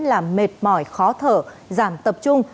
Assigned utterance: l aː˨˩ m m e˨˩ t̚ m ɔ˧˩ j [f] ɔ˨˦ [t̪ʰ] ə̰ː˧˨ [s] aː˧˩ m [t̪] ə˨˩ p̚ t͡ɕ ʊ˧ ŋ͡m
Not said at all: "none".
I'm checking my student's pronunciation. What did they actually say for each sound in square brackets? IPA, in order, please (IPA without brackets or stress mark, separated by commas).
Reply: x, t̪ʰ, z, t̪